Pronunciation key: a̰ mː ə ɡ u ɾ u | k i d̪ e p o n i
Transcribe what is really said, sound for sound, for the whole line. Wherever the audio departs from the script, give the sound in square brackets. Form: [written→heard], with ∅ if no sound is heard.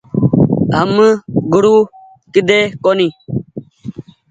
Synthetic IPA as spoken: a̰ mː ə ɡ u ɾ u | k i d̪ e [p→k] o n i